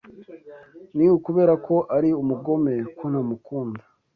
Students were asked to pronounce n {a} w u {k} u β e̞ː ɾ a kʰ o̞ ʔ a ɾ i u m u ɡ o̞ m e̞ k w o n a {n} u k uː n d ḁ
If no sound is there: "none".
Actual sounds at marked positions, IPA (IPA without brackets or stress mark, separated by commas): i, k, m